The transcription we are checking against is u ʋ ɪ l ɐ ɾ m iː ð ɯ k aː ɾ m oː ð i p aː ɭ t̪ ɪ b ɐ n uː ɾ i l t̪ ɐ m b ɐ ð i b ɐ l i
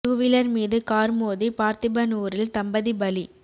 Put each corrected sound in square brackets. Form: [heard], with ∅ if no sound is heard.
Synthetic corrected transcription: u ʋ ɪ l ɐ ɾ m iː ð ɯ k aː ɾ m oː ð i p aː [ɾ] t̪ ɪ b ɐ n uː ɾ [ɪ] l t̪ ɐ m b ɐ ð i b ɐ l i

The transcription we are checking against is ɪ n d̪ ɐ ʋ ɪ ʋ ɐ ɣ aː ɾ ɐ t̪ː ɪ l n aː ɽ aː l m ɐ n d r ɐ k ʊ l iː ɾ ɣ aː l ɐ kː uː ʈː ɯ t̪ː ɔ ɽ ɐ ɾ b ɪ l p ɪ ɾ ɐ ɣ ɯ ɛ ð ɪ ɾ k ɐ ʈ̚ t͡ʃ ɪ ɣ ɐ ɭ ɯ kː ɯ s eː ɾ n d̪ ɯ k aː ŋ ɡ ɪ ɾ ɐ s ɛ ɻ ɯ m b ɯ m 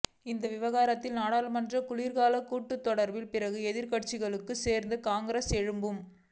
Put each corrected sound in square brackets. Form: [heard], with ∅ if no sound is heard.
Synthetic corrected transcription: ɪ n d̪ ɐ ʋ ɪ ʋ ɐ ɣ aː ɾ ɐ t̪ː ɪ l n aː ɽ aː l m ɐ n d r ɐ k ʊ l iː ɾ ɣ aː l ɐ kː uː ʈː ɯ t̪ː ɔ ɽ ɐ ɾ b ɪ l p ɪ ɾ ɐ ɣ ɯ ɛ ð ɪ ɾ k ɐ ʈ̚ t͡ʃ ɪ ɣ ɐ ɭ ɯ kː ɯ s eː ɾ n d̪ ɯ k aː ŋ ɡ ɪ ɾ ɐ s ɛ ɻ ɯ m b ɯ m

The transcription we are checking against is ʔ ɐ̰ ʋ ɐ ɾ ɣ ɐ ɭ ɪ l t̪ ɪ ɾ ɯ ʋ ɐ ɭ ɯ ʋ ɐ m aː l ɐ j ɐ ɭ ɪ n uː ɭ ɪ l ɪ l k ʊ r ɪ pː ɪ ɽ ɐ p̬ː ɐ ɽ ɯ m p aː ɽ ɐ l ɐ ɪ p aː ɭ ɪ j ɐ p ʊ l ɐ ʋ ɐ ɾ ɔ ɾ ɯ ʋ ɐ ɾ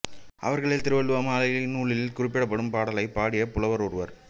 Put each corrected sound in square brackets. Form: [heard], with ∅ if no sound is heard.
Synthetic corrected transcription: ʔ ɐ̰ ʋ ɐ ɾ ɣ ɐ ɭ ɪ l t̪ ɪ ɾ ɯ ʋ ɐ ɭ ɯ ʋ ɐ m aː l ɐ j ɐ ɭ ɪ n uː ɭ ɪ l ɪ l k ʊ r ɪ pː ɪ ɽ ɐ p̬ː ɐ ɽ ɯ m p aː ɽ ɐ l ɐ ɪ p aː [ɽ] ɪ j ɐ p ʊ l ɐ ʋ ɐ ɾ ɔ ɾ ɯ ʋ ɐ ɾ

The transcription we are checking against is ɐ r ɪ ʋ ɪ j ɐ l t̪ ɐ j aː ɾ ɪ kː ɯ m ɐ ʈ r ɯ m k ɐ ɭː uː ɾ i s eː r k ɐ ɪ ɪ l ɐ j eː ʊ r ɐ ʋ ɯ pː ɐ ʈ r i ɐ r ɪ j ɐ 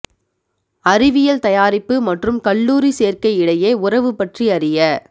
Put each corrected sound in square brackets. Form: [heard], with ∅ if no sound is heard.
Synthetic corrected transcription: ɐ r ɪ ʋ ɪ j ɐ l t̪ ɐ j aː ɾ ɪ [pː] ɯ m ɐ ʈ r ɯ m k ɐ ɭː uː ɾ i s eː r k ɐ ɪ ɪ [ɽ] ɐ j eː ʊ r ɐ ʋ ɯ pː ɐ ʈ r i ɐ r ɪ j ɐ

